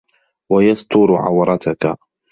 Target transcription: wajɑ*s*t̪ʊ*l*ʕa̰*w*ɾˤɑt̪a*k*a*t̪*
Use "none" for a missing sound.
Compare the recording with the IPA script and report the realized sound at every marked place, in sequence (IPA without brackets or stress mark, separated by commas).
s, ɾ, w, k, none